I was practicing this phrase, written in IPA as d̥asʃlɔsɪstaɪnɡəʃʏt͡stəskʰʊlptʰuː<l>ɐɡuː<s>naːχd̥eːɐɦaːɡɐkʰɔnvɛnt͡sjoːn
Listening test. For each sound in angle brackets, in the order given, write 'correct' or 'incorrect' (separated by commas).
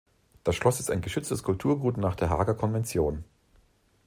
incorrect, incorrect